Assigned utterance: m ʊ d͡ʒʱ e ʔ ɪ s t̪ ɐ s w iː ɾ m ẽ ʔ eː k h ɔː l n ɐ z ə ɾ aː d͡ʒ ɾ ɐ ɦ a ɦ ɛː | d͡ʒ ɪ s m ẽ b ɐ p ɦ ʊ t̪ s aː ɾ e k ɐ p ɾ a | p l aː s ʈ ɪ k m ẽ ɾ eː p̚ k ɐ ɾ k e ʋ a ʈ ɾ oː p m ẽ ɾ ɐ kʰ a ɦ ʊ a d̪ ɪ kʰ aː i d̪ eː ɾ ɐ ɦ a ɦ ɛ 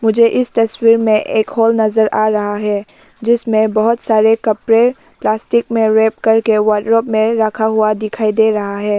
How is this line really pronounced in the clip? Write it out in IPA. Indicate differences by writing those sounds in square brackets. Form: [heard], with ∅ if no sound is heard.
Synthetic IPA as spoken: m ʊ d͡ʒʱ e ʔ ɪ s t̪ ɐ s w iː ɾ m ẽ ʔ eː k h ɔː l n ɐ z ə ɾ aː [∅] ɾ ɐ ɦ a ɦ ɛː | d͡ʒ ɪ s m ẽ b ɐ [∅] ɦ ʊ t̪ s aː ɾ e k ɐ p ɾ [e] | p l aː s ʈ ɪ k m ẽ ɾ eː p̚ k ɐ ɾ k e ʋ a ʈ ɾ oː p m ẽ ɾ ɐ kʰ a ɦ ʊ a d̪ ɪ kʰ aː i d̪ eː ɾ ɐ ɦ a ɦ [ɛː]